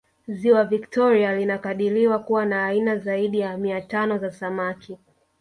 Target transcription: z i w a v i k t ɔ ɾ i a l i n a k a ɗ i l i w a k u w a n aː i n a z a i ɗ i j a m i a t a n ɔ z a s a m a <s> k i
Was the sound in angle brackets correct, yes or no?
no